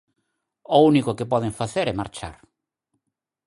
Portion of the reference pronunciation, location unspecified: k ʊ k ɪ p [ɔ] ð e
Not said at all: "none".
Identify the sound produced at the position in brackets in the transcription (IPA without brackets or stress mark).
ɔ